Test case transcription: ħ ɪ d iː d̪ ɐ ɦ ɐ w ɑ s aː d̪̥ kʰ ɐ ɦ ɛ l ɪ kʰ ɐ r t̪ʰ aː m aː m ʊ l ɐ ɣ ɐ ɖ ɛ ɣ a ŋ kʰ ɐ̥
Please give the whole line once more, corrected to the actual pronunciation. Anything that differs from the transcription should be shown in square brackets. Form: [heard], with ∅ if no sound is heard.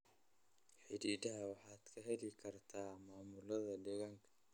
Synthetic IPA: ħ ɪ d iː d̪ ɐ ɦ ɐ w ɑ [ħ] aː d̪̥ kʰ ɐ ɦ ɛ l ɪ kʰ ɐ r t̪ʰ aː m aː m ʊ l ɐ [ð] ɐ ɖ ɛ ɣ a ŋ kʰ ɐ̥

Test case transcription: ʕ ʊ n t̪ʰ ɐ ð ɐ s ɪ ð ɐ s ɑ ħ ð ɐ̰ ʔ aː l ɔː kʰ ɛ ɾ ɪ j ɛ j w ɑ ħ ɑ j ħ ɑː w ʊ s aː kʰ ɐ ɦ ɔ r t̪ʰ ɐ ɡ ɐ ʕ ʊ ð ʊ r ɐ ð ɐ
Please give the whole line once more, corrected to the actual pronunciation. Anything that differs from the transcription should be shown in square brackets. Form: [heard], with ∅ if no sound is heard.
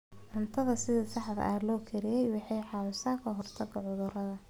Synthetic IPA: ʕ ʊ n t̪ʰ ɐ ð ɐ s ɪ ð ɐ s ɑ ħ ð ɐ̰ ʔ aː l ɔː kʰ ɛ ɾ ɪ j ɛ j w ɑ ħ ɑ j ħ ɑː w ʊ s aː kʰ ɐ ɦ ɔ r t̪ʰ ɐ ɡ ɐ ʕ ʊ ð ʊ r ɐ ð ɐ

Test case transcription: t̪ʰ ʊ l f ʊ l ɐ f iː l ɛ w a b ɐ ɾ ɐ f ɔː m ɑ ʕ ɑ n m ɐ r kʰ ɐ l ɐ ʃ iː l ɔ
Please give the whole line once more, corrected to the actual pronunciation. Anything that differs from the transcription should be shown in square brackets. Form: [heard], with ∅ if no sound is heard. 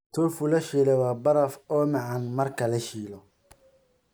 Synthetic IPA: t̪ʰ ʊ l f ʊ l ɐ [ʃ] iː l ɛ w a b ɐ ɾ ɐ f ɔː m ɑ ʕ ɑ n m ɐ r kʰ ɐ l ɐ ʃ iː l ɔ

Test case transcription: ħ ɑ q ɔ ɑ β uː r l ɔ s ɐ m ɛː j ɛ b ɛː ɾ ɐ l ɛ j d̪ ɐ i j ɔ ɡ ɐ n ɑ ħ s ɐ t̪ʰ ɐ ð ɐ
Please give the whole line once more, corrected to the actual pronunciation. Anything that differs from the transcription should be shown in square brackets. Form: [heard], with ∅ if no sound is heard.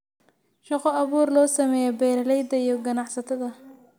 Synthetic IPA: [ʃ] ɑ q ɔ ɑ β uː r l [ɔː] s ɐ m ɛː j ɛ b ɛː ɾ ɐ l ɛ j d̪ ɐ i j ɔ ɡ ɐ n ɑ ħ s ɐ t̪ʰ ɐ ð ɐ

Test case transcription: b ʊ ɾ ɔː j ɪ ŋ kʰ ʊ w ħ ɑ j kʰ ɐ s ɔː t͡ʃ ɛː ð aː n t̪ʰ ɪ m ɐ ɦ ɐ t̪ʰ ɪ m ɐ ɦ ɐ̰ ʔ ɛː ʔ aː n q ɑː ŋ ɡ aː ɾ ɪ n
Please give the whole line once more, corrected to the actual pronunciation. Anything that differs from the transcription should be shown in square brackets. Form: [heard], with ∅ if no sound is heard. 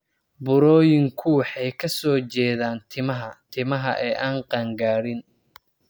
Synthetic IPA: b ʊ ɾ ɔː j ɪ ŋ kʰ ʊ w ħ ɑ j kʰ ɐ s ɔː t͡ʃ ɛː ð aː n t̪ʰ ɪ m ɐ ɦ ɐ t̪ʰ ɪ m ɐ ɦ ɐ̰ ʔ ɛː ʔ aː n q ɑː ŋ ɡ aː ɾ ɪ n

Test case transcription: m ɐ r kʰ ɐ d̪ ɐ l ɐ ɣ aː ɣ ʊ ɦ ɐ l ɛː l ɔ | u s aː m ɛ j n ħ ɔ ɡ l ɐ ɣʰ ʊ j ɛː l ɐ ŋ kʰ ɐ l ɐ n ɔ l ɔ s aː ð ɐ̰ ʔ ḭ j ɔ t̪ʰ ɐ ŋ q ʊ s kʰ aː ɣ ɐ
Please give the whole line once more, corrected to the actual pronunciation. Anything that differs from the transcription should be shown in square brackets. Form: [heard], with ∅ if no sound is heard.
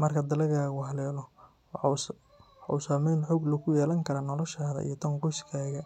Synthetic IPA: m ɐ r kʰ ɐ d̪ ɐ l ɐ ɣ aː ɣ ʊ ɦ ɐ l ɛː l ɔ | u s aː m ɛ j n ħ ɔ ɡ l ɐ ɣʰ ʊ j ɛː l ɐ ŋ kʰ ɐ [ɾ] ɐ n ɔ l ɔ [ʃ] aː ð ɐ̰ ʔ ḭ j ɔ t̪ʰ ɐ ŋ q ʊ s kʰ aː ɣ ɐ

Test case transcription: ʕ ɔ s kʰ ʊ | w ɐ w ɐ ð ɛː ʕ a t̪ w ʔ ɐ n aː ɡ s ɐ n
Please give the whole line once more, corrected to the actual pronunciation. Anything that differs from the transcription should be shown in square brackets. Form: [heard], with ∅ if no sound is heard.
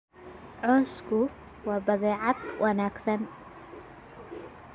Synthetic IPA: ʕ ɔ s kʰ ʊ | w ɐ [b] ɐ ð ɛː ʕ a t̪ w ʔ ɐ n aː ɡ s ɐ n

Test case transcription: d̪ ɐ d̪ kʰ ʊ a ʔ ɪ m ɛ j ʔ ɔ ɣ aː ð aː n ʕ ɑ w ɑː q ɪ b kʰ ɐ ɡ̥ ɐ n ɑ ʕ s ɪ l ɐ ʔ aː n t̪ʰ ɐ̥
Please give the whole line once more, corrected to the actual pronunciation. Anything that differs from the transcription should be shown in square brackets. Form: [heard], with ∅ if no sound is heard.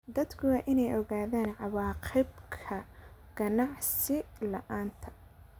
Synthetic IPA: d̪ ɐ d̪ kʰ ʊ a ʔ ɪ [n] ɛ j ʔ ɔ ɣ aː ð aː n ʕ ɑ w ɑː q ɪ b kʰ ɐ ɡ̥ ɐ n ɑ ʕ s ɪ l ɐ ʔ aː n t̪ʰ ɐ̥

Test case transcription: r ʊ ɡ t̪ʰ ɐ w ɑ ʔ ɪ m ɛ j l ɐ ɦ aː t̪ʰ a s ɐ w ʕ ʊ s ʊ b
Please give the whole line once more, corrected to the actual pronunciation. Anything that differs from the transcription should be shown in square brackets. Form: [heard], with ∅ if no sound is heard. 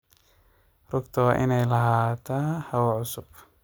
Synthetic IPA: r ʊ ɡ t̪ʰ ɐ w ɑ ʔ ɪ [n] ɛ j l ɐ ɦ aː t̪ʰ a [h] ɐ w ʕ ʊ s ʊ b

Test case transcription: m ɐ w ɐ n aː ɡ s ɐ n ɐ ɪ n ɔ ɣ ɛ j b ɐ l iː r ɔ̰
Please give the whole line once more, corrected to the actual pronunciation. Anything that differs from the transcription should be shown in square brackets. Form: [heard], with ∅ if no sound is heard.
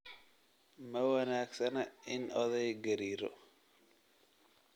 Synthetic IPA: m ɐ w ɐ n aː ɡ s ɐ n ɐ ɪ n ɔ [ð] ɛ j [ɡ] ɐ [ɾ] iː [ɾ] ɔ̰

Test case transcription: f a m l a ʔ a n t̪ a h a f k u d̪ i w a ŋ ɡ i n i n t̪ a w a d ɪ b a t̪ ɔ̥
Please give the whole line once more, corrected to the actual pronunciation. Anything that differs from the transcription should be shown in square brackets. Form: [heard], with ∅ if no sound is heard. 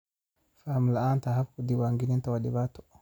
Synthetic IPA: f a m l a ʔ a n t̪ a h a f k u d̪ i w a ŋ ɡ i n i n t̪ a w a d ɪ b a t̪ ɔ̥

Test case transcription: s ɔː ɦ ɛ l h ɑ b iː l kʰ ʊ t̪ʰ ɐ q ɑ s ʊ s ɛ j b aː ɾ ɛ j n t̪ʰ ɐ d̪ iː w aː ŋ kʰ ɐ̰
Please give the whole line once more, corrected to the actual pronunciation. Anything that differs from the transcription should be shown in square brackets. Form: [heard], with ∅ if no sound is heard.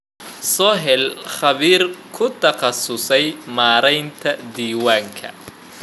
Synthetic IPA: s ɔː ɦ ɛ l [χ] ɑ [β] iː [r] kʰ ʊ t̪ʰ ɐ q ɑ s ʊ s ɛ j [m] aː ɾ ɛ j n t̪ʰ ɐ d̪ iː w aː ŋ kʰ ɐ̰

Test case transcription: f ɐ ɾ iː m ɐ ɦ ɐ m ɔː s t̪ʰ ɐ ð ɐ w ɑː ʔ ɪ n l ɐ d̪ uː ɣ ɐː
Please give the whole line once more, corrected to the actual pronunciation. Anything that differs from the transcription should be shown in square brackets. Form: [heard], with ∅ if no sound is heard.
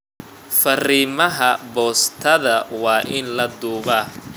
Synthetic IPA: f ɐ [r] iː m ɐ ɦ ɐ [b] ɔː s t̪ʰ ɐ ð ɐ w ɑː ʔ ɪ n l ɐ d̪ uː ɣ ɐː

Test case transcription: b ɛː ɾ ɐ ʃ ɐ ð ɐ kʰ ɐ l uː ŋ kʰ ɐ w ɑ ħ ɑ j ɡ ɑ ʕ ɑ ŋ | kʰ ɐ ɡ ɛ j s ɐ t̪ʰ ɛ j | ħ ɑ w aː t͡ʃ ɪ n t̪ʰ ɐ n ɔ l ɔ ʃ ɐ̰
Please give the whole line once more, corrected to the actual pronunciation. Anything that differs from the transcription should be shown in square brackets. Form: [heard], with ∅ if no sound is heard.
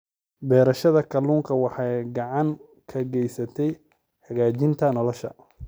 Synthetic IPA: b ɛː ɾ ɐ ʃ ɐ ð ɐ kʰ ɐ l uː ŋ kʰ ɐ w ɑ ħ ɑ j ɡ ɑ ʕ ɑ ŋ | kʰ ɐ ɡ ɛ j s ɐ t̪ʰ ɛ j | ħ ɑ [ɣ] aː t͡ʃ ɪ n t̪ʰ ɐ n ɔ l ɔ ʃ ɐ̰

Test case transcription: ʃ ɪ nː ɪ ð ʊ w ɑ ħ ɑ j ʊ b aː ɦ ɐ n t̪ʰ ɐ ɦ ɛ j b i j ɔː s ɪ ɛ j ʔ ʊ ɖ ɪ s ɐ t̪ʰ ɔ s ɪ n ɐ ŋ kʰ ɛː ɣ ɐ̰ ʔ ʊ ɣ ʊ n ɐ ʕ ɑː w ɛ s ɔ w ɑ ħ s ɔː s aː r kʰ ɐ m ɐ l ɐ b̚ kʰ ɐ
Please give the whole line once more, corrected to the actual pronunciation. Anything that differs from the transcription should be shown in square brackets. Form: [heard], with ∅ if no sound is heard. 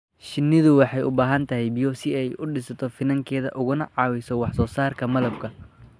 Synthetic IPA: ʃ ɪ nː ɪ ð ʊ w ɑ ħ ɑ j ʊ b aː ɦ ɐ n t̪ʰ ɐ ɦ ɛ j b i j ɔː s ɪ ɛ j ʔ ʊ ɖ ɪ s ɐ t̪ʰ ɔ [f] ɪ n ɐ ŋ kʰ ɛː [ð] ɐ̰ ʔ ʊ ɣ ʊ n ɐ ʕ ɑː w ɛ s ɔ w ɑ ħ s ɔː s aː r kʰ ɐ m ɐ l ɐ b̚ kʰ ɐ

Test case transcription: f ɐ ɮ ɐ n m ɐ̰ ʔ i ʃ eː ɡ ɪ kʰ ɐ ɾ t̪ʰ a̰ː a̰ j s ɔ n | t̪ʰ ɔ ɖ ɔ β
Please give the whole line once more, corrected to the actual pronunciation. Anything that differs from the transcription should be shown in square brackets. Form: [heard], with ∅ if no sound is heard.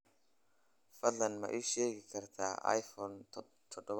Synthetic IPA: f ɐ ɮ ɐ n m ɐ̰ ʔ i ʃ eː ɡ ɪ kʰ ɐ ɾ t̪ʰ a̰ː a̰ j [f] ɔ n | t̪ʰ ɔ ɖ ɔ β

